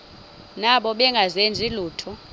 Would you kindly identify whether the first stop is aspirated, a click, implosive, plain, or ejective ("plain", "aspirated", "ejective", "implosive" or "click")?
implosive